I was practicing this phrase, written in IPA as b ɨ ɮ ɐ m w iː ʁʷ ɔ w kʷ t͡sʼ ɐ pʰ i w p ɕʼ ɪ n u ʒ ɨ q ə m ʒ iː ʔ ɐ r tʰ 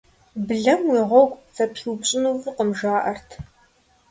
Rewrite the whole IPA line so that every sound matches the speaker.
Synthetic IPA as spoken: b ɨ ɮ ɐ m w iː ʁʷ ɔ w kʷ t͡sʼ ɐ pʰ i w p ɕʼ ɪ n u v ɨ q ə m ʒ aː ʔ ɐ r tʰ